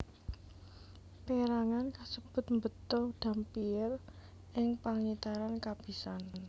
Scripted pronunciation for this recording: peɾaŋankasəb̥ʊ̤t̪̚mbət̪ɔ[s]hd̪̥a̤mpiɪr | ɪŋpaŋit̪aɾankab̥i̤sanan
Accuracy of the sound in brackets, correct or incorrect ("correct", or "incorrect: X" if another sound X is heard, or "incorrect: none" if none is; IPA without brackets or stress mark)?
incorrect: none